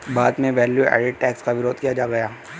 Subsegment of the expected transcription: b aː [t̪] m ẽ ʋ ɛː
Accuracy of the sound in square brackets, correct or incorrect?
incorrect